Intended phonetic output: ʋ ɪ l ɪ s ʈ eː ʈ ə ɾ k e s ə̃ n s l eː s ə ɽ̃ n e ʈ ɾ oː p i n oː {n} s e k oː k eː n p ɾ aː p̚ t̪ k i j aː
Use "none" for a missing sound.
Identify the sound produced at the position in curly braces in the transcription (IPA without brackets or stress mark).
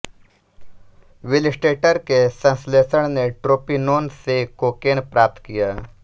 n